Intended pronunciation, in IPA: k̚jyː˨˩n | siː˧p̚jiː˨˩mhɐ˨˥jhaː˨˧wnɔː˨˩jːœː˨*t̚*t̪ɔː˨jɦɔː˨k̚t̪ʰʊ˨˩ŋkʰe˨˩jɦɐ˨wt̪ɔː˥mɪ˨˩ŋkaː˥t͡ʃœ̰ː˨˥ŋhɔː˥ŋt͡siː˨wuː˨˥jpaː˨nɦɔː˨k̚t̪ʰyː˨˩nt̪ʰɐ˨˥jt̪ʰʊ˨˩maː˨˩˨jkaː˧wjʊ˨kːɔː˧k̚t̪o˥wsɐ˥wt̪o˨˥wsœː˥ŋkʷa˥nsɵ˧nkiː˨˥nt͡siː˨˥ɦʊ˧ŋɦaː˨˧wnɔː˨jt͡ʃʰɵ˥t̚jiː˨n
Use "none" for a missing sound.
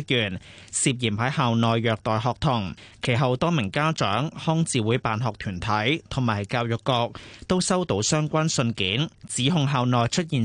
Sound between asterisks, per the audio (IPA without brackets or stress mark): k̚